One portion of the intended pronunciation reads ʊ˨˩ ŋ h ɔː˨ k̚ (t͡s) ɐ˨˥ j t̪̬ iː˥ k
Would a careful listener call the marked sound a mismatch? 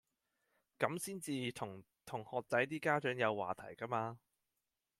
no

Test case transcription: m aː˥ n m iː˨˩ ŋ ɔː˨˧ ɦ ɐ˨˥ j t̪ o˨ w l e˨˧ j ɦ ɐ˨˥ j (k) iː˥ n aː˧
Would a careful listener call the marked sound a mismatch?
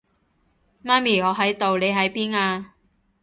yes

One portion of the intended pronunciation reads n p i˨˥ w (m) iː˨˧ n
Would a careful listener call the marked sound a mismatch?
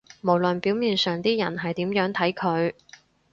no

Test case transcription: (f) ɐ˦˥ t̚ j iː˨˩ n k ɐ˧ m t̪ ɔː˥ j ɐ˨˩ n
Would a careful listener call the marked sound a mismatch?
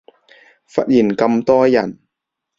no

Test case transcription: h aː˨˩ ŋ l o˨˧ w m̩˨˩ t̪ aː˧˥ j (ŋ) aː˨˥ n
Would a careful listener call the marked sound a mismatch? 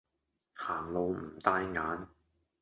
no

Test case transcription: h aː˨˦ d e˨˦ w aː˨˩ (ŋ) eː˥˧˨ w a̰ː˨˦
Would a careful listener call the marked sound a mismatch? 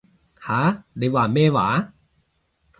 yes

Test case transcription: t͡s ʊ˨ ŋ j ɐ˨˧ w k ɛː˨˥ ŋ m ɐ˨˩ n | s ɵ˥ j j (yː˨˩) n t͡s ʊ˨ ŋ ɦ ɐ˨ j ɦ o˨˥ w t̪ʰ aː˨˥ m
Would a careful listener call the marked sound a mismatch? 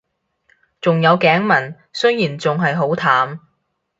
yes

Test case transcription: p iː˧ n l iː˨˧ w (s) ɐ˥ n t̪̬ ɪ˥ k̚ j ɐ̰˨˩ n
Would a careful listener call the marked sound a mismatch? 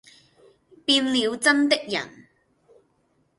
yes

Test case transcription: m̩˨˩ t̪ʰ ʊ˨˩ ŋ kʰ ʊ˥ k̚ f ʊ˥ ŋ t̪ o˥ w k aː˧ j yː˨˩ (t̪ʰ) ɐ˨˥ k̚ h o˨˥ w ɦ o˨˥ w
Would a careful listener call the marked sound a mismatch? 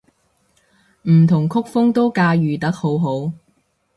yes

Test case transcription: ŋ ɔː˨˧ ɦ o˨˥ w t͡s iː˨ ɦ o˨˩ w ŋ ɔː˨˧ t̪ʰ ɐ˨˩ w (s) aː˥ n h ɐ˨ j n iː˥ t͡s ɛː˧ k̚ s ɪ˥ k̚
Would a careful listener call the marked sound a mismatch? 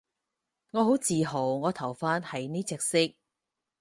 yes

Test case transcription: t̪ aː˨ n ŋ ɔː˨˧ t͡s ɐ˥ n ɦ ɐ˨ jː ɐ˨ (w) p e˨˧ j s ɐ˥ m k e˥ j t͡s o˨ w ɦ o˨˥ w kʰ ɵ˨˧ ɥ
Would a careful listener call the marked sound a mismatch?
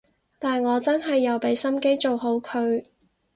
no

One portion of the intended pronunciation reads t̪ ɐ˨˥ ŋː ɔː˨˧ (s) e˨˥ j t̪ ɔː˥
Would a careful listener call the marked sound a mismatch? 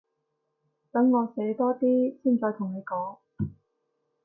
no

